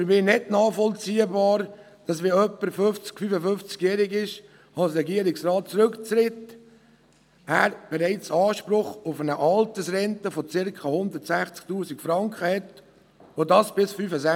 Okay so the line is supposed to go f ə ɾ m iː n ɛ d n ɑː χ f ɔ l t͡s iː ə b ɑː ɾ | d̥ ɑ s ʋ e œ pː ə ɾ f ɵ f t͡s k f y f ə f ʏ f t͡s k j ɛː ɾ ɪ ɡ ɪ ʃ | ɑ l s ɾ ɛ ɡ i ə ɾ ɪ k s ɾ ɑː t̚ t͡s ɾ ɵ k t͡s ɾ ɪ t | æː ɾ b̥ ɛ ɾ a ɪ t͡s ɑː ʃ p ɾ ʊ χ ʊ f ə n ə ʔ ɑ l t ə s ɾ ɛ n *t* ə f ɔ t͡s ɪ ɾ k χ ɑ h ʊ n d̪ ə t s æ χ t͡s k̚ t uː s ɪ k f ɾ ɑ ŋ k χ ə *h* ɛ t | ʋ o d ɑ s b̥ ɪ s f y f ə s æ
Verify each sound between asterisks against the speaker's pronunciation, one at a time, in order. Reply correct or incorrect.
correct, correct

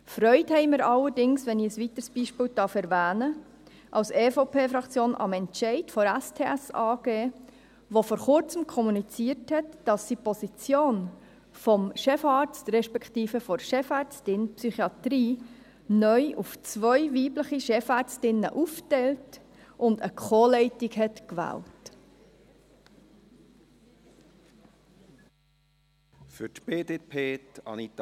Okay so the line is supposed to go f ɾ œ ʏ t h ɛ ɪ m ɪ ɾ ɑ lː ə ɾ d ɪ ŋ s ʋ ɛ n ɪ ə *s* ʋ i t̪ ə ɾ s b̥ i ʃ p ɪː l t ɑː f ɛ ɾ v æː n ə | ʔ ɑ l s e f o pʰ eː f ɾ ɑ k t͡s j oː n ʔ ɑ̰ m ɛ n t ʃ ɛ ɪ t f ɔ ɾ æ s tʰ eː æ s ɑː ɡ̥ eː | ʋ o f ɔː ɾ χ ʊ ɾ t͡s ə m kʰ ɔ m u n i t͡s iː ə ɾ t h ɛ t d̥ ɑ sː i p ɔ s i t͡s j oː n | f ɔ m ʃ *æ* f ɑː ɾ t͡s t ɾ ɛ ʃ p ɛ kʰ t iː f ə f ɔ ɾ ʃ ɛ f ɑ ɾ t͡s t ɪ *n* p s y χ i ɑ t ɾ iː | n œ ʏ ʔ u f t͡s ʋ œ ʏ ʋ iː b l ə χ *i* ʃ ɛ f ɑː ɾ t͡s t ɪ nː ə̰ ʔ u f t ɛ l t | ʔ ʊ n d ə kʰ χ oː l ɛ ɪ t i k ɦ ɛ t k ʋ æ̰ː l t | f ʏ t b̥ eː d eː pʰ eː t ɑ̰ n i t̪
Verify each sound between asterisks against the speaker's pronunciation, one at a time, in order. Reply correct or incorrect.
correct, incorrect, correct, correct

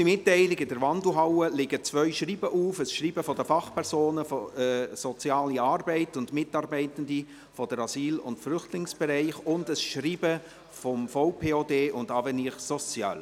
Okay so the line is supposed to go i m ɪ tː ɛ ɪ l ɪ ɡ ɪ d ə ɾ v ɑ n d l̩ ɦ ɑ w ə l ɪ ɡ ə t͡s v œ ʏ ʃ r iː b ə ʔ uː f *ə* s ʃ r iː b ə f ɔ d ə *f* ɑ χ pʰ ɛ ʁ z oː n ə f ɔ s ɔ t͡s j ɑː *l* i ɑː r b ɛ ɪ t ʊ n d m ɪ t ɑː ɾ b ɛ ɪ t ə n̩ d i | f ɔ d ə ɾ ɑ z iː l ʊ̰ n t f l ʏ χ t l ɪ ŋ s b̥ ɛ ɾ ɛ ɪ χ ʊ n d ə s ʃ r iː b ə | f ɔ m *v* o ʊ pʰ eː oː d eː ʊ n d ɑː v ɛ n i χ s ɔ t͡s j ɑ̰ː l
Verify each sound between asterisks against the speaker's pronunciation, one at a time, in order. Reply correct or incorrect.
correct, correct, correct, incorrect

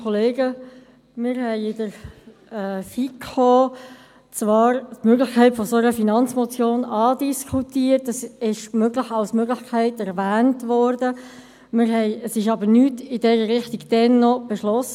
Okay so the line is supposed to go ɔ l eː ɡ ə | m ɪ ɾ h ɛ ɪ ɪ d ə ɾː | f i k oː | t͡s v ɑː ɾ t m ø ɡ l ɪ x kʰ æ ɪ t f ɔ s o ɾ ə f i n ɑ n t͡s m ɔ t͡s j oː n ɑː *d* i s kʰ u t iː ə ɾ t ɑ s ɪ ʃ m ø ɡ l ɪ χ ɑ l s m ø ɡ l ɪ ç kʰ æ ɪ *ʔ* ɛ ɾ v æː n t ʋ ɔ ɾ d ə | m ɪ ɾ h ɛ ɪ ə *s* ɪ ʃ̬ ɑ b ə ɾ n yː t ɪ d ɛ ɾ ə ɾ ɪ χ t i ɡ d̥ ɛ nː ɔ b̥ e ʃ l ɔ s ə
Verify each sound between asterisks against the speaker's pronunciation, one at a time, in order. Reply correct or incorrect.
correct, incorrect, correct

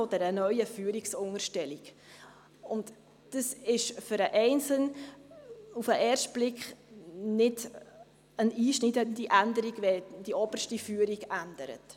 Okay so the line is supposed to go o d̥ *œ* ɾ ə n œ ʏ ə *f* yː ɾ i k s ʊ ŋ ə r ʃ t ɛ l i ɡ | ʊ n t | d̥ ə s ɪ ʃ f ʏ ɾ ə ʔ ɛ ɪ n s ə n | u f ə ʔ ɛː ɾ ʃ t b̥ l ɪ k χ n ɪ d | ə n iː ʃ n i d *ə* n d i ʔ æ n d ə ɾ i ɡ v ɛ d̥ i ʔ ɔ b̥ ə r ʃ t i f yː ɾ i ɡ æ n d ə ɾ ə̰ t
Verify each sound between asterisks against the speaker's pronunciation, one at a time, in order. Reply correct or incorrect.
incorrect, correct, correct

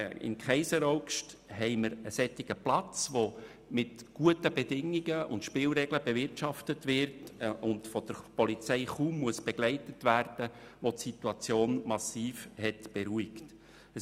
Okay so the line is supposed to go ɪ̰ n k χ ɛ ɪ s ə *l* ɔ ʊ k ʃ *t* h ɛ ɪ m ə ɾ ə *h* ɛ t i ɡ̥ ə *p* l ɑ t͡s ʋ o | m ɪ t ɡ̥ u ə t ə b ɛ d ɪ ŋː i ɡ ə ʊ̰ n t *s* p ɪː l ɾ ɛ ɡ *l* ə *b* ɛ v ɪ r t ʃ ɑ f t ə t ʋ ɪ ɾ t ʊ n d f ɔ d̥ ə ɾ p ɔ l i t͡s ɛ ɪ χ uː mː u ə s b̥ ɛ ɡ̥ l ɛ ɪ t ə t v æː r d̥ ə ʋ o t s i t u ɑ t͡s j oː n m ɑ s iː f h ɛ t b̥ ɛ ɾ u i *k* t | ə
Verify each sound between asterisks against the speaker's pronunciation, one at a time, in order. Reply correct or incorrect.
incorrect, correct, incorrect, correct, incorrect, correct, correct, correct

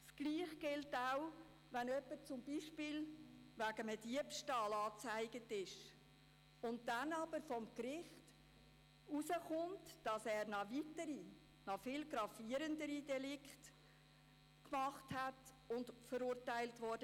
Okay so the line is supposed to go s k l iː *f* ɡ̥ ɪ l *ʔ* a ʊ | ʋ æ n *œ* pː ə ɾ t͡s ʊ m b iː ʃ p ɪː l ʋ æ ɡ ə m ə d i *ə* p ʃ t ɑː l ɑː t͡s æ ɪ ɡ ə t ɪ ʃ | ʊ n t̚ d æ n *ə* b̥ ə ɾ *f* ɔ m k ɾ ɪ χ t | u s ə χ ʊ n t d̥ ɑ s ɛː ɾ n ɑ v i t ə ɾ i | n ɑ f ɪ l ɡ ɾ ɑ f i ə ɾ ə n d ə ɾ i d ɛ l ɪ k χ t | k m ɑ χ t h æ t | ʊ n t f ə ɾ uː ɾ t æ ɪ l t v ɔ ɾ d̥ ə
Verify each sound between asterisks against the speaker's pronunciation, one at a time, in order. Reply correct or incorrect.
incorrect, incorrect, correct, correct, incorrect, correct

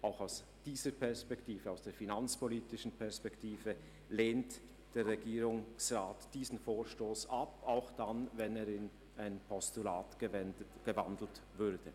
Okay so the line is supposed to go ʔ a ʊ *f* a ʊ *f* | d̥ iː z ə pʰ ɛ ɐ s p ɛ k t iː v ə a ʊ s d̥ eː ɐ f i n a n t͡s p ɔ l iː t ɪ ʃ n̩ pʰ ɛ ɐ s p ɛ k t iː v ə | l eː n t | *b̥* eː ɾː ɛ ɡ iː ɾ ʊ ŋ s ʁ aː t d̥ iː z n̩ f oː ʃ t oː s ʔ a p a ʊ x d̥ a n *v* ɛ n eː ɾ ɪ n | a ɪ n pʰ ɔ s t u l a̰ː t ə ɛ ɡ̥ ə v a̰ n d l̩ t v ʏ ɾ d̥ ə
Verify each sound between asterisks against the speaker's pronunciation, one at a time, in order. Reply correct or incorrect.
incorrect, incorrect, incorrect, correct

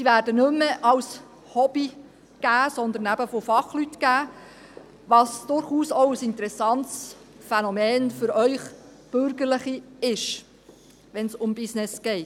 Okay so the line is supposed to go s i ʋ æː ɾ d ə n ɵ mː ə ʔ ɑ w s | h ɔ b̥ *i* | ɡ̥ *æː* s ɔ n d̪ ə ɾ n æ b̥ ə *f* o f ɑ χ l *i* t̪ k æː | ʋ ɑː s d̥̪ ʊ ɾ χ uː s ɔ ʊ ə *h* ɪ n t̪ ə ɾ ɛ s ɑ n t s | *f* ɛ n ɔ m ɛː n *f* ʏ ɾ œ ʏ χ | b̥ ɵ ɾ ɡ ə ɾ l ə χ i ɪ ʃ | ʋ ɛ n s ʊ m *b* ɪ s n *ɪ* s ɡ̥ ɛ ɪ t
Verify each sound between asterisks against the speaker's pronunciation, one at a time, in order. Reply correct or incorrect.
correct, correct, correct, incorrect, incorrect, correct, correct, correct, correct

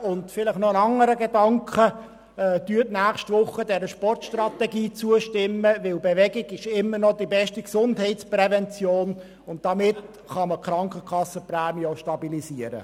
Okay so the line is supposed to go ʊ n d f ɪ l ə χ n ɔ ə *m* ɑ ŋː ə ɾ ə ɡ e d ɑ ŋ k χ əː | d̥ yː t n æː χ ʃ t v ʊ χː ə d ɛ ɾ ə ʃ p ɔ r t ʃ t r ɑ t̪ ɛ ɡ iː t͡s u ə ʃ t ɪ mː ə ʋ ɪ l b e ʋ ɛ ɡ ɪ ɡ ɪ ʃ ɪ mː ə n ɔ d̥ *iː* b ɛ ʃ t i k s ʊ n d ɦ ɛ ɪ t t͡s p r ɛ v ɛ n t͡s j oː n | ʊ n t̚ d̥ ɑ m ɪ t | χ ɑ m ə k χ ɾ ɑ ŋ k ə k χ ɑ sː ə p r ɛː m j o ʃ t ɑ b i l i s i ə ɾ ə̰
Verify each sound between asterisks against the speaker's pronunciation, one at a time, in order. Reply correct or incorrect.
incorrect, incorrect

